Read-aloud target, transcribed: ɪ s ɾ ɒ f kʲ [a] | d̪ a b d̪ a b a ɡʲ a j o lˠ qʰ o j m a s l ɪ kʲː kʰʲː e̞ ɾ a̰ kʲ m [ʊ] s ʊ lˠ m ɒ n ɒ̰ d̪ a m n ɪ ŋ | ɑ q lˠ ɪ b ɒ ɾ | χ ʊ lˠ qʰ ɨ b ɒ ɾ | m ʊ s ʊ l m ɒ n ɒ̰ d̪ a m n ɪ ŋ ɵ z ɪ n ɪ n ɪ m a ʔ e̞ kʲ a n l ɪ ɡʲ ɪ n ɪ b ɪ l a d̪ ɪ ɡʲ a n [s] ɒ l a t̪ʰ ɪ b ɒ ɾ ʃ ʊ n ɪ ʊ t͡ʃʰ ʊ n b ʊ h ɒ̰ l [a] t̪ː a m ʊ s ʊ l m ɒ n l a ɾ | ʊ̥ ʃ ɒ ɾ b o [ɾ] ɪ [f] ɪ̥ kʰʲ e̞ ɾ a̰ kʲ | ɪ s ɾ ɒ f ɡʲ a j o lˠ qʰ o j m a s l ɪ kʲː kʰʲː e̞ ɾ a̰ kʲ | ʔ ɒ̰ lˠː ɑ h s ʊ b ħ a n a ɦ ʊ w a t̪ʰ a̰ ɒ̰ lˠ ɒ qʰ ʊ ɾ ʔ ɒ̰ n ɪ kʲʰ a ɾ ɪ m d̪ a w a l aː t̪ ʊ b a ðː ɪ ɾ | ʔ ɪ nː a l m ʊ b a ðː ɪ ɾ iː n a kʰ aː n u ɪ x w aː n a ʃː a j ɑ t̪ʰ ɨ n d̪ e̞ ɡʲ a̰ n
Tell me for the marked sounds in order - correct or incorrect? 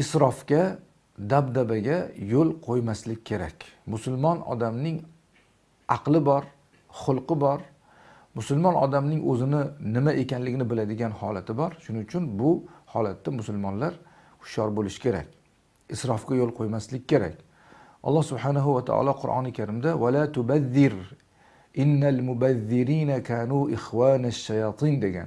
correct, correct, incorrect, correct, incorrect, incorrect

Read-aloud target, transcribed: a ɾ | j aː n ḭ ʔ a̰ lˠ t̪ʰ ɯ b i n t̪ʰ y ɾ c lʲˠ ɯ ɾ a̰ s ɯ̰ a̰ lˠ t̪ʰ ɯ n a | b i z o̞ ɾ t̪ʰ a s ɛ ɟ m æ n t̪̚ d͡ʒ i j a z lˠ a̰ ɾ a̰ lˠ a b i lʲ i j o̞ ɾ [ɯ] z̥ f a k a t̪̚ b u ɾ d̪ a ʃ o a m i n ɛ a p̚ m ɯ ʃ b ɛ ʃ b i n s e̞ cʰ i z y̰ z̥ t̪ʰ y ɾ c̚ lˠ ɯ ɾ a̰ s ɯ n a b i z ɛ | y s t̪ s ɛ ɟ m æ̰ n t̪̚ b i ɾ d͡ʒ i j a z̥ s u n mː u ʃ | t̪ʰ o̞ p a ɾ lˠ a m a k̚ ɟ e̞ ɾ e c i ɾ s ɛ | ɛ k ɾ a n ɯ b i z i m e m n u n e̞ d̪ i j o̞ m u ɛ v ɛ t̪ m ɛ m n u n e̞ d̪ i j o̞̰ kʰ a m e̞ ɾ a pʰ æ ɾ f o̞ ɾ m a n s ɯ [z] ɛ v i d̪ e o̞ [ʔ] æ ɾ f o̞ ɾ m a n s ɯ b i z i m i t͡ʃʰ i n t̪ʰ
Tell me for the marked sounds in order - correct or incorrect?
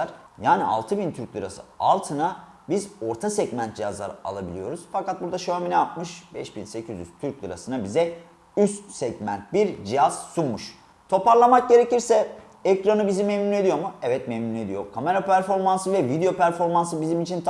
incorrect, incorrect, incorrect

